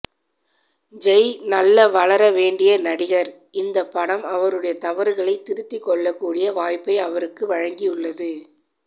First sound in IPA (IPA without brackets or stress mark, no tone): d͡ʒ